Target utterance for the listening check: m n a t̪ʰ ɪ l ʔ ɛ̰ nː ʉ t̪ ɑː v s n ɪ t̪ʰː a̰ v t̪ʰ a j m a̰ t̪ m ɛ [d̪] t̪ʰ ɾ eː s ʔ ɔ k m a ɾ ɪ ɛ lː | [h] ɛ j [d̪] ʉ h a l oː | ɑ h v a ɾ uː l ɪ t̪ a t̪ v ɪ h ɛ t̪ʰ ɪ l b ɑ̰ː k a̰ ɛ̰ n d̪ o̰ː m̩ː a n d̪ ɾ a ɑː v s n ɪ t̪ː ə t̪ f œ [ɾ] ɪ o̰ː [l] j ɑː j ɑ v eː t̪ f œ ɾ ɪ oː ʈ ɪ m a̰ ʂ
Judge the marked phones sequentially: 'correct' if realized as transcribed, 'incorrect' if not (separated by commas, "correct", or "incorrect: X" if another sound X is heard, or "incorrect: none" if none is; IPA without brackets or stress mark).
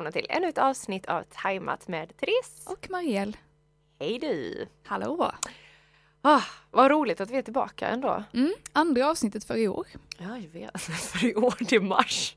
correct, correct, correct, correct, incorrect: ɾ